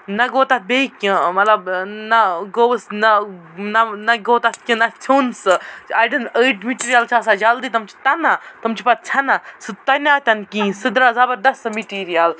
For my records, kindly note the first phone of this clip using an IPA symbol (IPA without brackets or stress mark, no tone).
n